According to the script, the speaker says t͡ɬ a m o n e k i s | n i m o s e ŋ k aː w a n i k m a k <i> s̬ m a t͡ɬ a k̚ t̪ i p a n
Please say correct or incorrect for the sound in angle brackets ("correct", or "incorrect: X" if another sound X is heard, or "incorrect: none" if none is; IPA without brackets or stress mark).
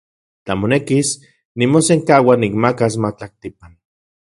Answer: incorrect: a